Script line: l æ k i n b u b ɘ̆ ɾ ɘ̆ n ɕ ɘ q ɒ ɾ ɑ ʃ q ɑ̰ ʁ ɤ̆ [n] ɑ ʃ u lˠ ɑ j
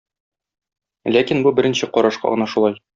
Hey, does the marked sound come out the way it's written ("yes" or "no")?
yes